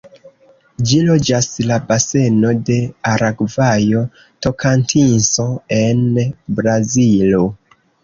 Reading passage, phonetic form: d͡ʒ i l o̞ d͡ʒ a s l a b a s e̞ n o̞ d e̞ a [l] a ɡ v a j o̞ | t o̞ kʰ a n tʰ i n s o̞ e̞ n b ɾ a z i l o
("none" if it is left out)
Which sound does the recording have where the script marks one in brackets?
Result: ɾ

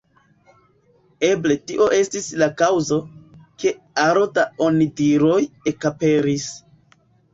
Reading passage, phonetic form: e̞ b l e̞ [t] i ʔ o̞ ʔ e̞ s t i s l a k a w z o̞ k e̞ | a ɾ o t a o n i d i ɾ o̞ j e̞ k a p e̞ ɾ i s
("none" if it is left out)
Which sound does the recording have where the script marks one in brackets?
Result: t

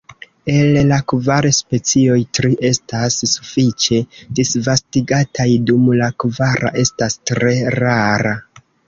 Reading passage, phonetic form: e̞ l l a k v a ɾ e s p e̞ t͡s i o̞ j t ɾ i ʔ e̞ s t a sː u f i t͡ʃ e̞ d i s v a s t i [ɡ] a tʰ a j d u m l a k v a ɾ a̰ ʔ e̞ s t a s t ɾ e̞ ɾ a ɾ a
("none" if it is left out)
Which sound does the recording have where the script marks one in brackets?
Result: ɡ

